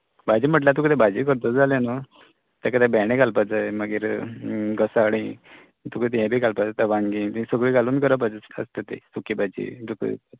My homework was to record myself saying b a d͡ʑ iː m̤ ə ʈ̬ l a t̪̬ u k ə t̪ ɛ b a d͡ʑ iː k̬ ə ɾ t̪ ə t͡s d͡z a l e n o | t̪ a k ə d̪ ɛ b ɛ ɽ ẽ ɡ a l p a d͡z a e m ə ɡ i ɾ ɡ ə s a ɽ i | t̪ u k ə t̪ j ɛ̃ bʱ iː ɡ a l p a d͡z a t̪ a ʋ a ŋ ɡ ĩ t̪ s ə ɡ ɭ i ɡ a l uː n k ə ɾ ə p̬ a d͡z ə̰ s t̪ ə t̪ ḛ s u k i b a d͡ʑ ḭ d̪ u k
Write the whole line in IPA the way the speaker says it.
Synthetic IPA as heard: b a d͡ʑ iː m̤ ə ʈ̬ l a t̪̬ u k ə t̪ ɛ b a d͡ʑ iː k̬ ə ɾ t̪ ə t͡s d͡z a l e n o | t̪ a k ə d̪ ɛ b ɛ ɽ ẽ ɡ a l p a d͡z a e m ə ɡ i ɾ ɡ ə s a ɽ i | t̪ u k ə t̪ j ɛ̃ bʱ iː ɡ a l p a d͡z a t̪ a ʋ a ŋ ɡ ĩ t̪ s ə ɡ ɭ i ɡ a l uː n k ə ɾ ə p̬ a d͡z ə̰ s t̪ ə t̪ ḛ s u k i b a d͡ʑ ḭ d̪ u k

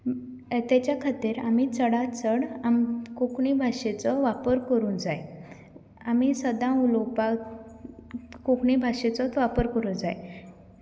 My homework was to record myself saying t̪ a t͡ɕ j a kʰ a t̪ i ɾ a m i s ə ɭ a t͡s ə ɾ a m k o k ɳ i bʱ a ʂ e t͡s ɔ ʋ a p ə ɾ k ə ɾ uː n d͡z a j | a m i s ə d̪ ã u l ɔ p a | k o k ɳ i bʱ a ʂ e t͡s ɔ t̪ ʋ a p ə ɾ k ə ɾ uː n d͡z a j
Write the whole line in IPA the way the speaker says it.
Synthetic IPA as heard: t̪ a t͡ɕ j a kʰ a t̪ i ɾ a m i t͡s ə ɽ a t͡s ə ɽ a m k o k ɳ i bʱ a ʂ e t͡s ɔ ʋ a p ə ɾ k ə ɾ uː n d͡z a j | a m i s ə d̪ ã u l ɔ p a | k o k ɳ i bʱ a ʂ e t͡s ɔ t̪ ʋ a p ə ɾ k ə ɾ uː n d͡z a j

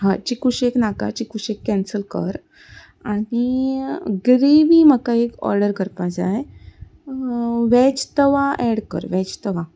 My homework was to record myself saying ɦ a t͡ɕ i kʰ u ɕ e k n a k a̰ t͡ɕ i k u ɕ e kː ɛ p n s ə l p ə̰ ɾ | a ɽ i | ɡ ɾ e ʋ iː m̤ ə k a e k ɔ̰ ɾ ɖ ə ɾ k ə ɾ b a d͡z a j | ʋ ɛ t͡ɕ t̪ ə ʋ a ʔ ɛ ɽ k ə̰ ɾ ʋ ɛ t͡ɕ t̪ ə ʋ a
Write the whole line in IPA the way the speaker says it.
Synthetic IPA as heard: ɦ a t͡ɕ i k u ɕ e k n a k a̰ t͡ɕ i k u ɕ e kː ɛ n s ə l k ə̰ ɾ | a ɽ i | ɡ ɾ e ʋ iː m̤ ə k a e k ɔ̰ ɾ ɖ ə ɾ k ə ɾ p a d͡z a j | ʋ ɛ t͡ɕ t̪ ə ʋ a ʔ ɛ ɽ k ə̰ ɾ ʋ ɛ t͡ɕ t̪ ə ʋ a

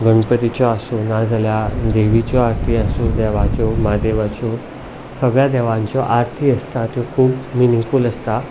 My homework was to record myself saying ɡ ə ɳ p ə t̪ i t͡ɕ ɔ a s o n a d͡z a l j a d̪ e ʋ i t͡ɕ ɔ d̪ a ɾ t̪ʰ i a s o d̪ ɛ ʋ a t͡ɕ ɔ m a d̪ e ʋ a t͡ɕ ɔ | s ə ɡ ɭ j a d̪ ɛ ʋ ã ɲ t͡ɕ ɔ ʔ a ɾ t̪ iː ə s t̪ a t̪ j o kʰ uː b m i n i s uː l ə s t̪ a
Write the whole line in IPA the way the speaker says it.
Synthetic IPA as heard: ɡ ə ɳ p ə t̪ i t͡ɕ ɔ a s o n a d͡z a l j a d̪ e ʋ i t͡ɕ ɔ a ɾ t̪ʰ i a s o d̪ ɛ ʋ a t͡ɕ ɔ m a d̪ e ʋ a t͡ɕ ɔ | s ə ɡ ɭ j a d̪ ɛ ʋ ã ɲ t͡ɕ ɔ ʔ a ɾ t̪ʰ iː ə s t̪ a t̪ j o kʰ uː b m i n i f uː l ə s t̪ a

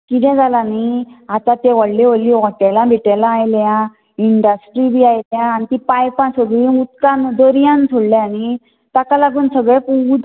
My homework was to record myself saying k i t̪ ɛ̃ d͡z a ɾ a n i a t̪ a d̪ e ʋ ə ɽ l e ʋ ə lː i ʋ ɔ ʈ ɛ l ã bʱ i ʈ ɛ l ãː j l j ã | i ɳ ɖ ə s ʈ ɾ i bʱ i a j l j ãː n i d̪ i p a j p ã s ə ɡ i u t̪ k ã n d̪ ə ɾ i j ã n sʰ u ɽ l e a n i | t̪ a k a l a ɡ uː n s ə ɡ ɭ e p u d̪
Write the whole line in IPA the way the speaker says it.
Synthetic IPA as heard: k i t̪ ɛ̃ d͡z a l a n i a t̪ a t̪ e ʋ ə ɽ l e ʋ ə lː i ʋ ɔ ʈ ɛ l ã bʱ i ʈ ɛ l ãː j l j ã | i ɳ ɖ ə s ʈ ɾ i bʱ i a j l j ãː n i t̪ i p a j p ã s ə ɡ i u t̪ k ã n d̪ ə ɾ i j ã n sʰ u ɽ l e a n i | t̪ a k a l a ɡ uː n s ə ɡ ɭ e p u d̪

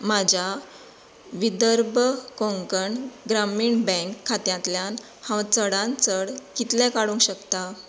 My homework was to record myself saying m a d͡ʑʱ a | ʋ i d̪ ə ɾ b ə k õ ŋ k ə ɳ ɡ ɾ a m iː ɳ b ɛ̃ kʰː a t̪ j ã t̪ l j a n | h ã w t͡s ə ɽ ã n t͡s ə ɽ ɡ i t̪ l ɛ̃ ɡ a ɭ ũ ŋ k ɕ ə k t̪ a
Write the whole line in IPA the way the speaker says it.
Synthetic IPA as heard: m a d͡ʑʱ a | ʋ i d̪ ə ɾ b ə k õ ŋ k ə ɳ ɡ ɾ a m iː ɳ b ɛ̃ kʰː a t̪ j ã t̪ l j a n | h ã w t͡s ə ɽ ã n t͡s ə ɽ k i t̪ l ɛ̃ k a ɽ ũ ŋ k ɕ ə k t̪ a

